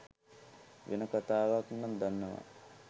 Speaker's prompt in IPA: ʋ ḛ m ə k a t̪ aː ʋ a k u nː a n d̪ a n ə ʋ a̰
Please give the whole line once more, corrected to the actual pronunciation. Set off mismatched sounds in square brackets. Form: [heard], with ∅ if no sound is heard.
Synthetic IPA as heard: ʋ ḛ [n] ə k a t̪ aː ʋ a k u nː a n d̪ a [nː] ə ʋ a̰